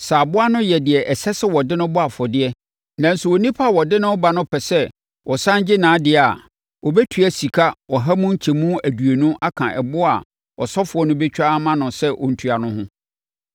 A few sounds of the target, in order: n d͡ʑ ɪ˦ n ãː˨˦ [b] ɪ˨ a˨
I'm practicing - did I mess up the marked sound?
yes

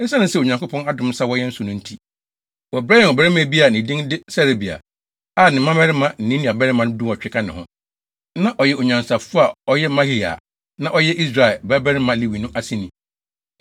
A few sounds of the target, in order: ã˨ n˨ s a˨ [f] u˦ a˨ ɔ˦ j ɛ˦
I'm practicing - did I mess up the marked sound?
no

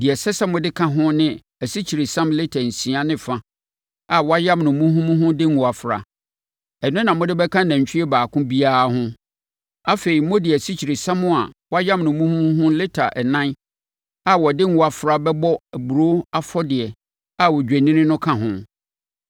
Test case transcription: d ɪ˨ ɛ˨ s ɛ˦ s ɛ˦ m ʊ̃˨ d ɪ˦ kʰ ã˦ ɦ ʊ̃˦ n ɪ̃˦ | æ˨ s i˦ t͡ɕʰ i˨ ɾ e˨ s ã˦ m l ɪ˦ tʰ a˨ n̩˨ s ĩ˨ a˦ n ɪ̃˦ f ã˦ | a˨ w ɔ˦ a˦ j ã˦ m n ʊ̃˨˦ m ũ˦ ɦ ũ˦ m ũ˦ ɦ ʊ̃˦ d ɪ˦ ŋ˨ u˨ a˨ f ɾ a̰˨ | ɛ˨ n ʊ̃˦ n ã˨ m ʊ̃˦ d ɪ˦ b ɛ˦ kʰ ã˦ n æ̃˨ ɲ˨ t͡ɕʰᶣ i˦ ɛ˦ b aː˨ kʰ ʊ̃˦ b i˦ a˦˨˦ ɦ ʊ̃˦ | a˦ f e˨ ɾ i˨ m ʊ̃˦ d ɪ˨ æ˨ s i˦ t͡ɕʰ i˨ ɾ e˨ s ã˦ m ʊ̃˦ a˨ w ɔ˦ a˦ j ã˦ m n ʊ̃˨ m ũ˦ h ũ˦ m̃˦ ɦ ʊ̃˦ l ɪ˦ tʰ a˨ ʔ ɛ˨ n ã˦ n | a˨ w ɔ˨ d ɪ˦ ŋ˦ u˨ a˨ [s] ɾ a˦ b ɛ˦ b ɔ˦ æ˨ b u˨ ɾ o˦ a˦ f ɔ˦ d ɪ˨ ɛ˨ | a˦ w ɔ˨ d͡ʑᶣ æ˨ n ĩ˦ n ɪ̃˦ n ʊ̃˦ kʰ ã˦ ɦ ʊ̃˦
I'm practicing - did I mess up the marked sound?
yes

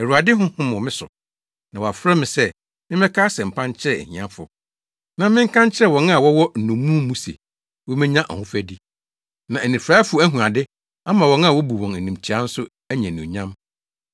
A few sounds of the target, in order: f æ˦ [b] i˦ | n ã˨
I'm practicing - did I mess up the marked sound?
yes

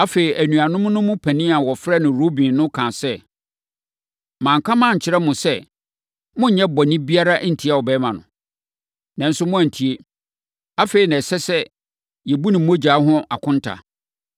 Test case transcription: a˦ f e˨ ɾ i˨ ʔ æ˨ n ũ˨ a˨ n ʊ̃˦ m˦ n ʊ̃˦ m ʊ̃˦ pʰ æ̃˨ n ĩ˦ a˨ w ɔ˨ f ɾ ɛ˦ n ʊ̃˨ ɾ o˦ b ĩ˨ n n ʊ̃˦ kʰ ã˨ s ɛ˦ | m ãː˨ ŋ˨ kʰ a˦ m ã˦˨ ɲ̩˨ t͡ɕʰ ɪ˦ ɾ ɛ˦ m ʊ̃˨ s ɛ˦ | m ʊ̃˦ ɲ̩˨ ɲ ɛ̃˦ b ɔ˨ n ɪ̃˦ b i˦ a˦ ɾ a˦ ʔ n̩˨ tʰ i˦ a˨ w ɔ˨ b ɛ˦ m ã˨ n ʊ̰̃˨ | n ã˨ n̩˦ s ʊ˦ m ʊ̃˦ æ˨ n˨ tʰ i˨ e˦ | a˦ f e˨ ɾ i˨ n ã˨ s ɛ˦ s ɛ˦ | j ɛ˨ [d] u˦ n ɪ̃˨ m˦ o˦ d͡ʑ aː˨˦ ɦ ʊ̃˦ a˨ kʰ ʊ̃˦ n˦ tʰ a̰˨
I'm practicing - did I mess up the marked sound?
yes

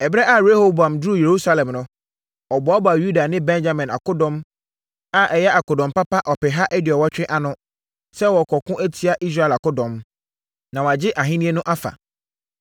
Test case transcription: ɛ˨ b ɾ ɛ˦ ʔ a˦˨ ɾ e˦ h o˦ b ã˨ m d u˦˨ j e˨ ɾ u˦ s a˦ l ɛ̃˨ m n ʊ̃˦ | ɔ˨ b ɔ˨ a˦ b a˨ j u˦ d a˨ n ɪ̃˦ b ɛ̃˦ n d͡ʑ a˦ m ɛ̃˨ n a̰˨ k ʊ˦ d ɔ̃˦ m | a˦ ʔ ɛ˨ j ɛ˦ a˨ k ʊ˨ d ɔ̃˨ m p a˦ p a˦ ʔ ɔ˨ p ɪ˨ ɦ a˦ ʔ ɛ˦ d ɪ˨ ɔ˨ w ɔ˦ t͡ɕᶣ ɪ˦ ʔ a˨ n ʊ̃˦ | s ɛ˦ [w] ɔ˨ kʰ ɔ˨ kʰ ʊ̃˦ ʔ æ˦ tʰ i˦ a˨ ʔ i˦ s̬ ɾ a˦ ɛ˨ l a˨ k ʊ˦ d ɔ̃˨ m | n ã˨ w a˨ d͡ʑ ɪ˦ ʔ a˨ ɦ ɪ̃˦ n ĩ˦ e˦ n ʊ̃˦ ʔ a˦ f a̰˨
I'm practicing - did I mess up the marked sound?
no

